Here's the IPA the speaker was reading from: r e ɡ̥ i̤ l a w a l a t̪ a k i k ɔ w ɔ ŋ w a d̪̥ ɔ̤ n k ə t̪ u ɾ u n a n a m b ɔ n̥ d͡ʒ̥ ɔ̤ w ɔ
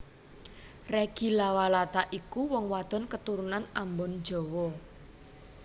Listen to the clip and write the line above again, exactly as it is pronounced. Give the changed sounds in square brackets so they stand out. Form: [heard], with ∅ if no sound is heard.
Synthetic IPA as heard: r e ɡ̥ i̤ l a w a l a t̪ a [ʔ] i k [u] w ɔ ŋ w a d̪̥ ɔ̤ n k ə t̪ u ɾ u n a n a m b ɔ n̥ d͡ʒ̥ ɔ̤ w ɔ